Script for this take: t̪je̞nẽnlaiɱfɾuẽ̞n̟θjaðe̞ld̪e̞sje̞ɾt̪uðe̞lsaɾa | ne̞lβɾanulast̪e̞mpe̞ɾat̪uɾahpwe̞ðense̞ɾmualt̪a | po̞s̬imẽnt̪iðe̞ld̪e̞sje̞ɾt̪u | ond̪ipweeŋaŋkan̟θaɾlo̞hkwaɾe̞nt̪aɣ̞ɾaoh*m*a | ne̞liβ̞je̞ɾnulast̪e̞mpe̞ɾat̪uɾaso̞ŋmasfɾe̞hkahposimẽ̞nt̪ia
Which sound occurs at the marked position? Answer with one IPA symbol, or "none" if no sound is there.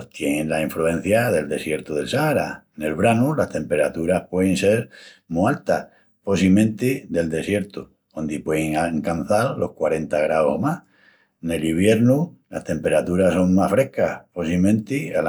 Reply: m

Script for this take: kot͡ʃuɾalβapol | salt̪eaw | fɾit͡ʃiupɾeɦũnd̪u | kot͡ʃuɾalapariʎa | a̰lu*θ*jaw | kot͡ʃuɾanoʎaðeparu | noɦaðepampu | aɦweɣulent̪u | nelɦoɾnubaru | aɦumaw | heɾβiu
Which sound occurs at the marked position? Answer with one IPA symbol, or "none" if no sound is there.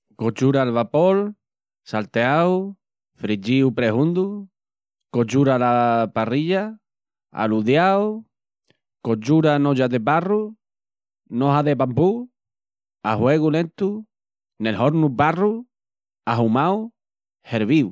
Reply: ð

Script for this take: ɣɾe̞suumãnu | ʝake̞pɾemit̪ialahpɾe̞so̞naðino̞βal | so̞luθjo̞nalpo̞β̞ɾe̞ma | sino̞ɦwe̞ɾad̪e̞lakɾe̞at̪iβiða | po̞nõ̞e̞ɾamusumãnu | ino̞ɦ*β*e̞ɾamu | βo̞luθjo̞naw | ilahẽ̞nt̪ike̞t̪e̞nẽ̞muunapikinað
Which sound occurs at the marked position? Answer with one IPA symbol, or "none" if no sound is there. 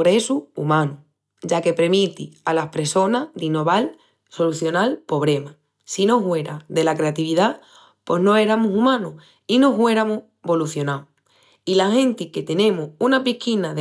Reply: w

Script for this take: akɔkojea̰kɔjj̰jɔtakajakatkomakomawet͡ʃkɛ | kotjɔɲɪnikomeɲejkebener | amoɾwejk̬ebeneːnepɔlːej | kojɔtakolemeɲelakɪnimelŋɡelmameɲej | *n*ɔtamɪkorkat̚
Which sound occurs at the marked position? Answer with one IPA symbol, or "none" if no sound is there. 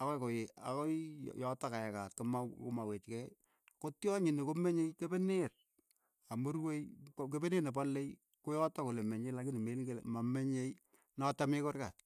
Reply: n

